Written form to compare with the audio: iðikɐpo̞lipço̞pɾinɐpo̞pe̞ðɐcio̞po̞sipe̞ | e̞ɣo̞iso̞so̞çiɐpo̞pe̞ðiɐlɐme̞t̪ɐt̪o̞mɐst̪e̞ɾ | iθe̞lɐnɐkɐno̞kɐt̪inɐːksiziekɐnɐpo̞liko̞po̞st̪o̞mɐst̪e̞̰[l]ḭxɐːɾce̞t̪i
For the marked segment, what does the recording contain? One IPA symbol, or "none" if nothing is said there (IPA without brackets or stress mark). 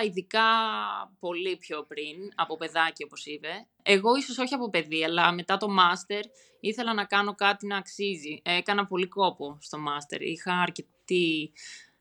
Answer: ɾ